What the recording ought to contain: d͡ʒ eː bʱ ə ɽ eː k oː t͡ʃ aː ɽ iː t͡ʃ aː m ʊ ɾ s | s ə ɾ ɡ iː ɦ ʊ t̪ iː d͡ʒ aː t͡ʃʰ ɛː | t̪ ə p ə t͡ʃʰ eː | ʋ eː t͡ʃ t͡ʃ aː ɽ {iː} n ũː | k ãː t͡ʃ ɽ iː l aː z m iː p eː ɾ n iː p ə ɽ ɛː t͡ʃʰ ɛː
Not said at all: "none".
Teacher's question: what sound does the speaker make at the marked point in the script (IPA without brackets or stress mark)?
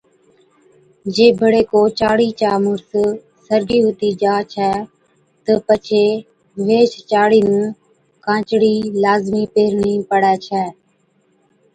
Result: iː